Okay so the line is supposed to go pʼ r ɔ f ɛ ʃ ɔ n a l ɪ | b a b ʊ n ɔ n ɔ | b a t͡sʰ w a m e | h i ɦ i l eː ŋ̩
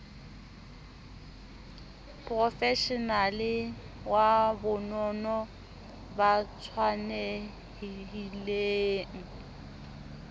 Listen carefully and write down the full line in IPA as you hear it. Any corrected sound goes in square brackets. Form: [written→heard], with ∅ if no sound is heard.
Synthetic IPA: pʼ r ɔ f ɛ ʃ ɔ n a l ɪ | [b→w] a b ʊ n ɔ n ɔ | b a t͡sʰ w a [m→n] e | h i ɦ i l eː ŋ̩